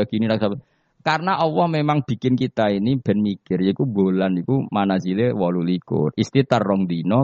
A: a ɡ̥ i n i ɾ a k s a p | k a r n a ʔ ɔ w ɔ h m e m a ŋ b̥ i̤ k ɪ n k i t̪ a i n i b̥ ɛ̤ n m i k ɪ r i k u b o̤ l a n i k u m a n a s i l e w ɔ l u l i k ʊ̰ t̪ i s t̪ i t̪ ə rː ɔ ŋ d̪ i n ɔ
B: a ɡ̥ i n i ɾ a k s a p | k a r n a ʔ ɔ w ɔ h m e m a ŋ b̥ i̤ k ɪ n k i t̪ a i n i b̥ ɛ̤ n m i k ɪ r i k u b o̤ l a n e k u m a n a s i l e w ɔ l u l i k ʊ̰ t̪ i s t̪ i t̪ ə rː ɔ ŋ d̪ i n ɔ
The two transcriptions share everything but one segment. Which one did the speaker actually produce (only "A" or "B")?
A